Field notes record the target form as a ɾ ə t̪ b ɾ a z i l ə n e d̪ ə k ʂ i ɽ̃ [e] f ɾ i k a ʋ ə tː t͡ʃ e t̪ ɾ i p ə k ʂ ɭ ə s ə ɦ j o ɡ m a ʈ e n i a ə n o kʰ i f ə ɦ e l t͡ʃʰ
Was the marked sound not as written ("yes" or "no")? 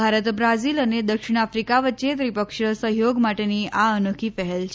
yes